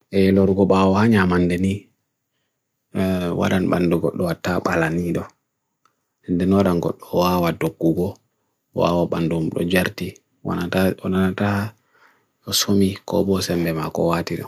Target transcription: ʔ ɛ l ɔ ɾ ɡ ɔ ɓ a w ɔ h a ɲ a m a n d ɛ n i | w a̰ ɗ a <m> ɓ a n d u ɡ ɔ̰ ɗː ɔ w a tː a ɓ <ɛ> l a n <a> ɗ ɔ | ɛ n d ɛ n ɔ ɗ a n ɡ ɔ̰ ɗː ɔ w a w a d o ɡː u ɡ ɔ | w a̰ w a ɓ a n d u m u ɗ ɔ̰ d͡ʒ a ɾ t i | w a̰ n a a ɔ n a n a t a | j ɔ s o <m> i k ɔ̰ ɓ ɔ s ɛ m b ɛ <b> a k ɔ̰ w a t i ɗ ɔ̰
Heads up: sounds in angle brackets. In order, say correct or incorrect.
incorrect, incorrect, incorrect, correct, incorrect

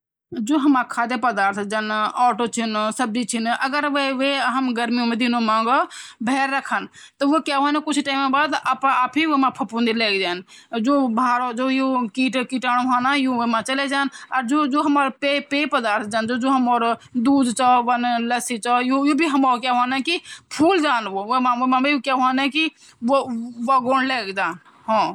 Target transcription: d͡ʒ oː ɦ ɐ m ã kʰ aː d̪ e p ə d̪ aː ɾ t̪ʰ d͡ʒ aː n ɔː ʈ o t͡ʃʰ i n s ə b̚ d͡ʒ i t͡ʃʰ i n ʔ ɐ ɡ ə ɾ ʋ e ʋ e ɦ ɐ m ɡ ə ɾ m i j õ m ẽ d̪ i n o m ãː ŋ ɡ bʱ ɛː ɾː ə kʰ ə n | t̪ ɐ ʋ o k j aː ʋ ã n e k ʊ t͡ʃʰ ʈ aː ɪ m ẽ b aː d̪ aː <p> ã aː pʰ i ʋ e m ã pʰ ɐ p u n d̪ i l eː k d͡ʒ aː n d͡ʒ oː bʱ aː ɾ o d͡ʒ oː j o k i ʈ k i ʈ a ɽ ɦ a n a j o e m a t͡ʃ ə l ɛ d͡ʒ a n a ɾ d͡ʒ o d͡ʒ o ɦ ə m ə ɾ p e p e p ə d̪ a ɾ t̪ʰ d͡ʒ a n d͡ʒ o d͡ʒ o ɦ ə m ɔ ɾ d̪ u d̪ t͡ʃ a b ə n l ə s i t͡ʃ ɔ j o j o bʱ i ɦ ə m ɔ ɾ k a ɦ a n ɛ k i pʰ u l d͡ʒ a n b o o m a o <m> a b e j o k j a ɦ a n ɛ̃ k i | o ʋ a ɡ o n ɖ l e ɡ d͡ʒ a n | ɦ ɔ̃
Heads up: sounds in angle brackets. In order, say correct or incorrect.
correct, correct

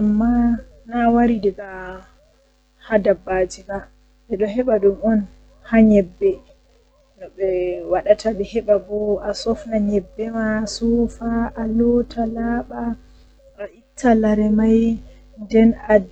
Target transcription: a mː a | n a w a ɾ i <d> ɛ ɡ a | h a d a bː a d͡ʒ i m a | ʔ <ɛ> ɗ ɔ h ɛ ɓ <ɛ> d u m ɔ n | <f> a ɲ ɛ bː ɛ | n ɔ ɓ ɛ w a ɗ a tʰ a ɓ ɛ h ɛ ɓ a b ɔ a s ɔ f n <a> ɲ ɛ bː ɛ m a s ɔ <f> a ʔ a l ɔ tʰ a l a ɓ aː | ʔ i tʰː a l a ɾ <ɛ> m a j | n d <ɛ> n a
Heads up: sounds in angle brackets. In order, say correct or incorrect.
correct, correct, incorrect, incorrect, correct, correct, correct, correct

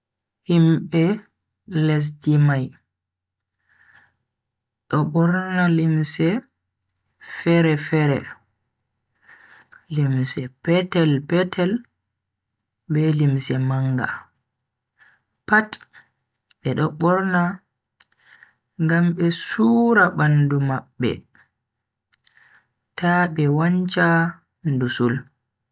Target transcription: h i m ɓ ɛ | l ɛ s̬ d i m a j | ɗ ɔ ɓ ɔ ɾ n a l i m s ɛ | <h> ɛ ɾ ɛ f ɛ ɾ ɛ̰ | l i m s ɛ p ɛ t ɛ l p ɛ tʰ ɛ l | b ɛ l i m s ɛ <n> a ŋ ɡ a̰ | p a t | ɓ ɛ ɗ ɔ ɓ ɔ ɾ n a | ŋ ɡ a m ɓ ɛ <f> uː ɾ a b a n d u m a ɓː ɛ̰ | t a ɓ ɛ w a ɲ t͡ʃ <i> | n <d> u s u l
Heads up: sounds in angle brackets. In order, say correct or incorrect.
incorrect, incorrect, incorrect, incorrect, correct

